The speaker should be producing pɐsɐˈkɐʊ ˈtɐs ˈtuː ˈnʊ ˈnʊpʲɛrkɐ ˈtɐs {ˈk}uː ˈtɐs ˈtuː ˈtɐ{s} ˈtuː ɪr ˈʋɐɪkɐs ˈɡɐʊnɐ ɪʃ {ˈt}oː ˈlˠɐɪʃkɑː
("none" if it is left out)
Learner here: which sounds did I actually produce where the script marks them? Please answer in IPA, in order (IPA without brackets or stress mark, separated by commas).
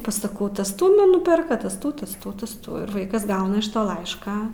t, s, t